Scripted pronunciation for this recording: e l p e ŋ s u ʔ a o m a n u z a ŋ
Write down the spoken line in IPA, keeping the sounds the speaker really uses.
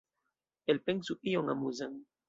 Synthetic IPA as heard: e l p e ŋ s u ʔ i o ŋ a m u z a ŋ